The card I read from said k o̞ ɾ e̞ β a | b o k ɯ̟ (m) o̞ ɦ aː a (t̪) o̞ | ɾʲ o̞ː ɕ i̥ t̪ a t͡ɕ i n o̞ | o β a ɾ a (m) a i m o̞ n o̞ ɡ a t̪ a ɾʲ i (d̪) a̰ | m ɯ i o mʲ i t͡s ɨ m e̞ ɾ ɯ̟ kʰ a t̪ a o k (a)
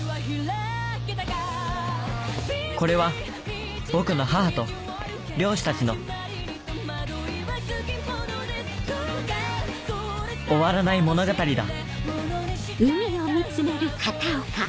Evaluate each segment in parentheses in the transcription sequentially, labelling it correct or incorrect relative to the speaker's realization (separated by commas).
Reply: incorrect, correct, incorrect, correct, correct